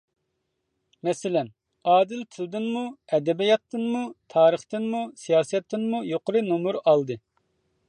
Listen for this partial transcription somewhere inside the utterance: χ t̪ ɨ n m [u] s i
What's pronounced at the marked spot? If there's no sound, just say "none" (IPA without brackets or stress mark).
u